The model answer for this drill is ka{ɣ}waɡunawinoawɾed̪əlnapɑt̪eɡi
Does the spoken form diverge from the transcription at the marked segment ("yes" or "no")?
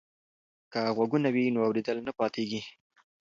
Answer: no